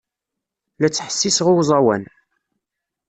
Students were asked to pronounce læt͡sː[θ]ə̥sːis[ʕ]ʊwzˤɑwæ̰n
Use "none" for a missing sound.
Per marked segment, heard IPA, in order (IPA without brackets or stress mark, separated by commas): ħ, ʁ